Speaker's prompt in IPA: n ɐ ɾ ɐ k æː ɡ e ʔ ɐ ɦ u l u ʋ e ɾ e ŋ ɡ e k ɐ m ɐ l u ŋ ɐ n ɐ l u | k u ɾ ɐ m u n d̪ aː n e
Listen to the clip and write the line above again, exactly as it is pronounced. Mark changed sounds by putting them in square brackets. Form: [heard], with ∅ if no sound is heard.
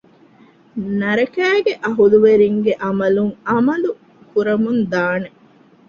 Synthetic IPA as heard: n ɐ ɾ ɐ k æː ɡ e ʔ ɐ ɦ u l u ʋ e ɾ [i] ŋ ɡ e [ʔ] ɐ m ɐ l u ŋ ɐ [m] ɐ l u | k u ɾ ɐ m u n d̪ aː n e